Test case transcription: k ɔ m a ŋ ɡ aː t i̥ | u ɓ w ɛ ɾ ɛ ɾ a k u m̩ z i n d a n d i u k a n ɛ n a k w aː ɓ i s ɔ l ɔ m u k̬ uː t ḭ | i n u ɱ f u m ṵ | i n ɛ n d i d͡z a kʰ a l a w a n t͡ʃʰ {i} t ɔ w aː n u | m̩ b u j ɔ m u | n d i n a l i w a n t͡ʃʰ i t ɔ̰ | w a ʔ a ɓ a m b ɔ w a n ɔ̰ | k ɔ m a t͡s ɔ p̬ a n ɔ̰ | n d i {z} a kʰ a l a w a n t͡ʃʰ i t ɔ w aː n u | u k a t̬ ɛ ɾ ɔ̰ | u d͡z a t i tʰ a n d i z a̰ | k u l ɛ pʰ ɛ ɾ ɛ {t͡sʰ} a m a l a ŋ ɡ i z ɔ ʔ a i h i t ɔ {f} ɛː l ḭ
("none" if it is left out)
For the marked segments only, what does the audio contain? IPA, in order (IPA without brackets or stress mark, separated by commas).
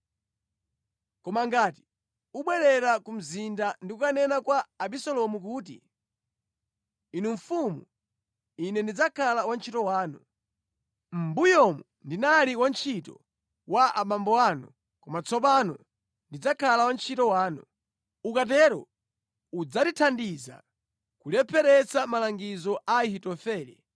i, d͡z, t͡s, f